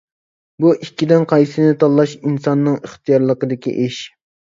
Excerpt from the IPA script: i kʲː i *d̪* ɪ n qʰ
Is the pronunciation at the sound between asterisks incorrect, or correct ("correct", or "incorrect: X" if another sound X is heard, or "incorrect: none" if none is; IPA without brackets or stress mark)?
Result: correct